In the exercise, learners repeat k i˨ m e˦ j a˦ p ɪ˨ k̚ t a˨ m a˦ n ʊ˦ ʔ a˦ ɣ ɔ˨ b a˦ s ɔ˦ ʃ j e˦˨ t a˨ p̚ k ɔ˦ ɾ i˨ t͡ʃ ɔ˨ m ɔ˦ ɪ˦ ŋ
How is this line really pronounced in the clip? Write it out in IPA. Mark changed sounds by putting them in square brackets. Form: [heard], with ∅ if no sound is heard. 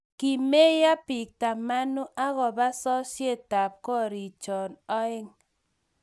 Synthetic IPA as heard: k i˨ m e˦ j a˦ p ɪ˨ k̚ t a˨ m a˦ n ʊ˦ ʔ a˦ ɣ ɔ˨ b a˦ s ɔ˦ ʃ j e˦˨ t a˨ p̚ k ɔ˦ ɾ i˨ t͡ʃ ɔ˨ [n] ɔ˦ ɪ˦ ŋ